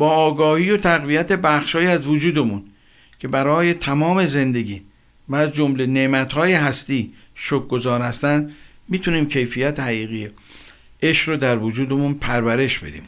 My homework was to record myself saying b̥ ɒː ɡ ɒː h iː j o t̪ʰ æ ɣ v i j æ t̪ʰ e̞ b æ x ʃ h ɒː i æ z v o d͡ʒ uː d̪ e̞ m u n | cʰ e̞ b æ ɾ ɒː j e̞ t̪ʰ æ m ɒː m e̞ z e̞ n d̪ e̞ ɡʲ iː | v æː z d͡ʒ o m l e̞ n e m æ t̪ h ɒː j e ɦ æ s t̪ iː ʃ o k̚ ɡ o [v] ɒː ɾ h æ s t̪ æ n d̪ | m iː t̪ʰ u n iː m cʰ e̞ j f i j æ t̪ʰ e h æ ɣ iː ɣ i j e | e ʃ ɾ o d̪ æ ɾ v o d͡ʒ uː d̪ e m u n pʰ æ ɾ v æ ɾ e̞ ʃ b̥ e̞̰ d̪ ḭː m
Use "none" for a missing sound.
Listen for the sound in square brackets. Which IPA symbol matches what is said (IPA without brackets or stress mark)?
z